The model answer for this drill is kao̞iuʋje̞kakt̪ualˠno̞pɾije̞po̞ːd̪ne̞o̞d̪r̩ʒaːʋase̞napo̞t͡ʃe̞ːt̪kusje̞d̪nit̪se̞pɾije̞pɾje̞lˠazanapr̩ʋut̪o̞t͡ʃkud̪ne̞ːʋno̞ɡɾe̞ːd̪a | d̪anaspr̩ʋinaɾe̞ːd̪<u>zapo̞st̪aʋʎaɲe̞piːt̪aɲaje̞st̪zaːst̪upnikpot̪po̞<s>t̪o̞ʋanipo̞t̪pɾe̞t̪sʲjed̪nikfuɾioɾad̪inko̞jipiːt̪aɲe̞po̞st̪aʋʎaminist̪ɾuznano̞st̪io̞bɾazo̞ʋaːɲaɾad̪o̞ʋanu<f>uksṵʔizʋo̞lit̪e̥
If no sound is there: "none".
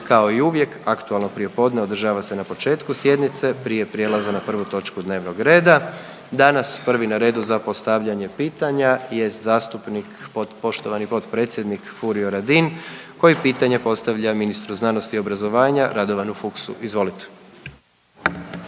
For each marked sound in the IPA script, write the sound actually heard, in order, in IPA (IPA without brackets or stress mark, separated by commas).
u, ʃ, f